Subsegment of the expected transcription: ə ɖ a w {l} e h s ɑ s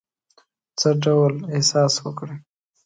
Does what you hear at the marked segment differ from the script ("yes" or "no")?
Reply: no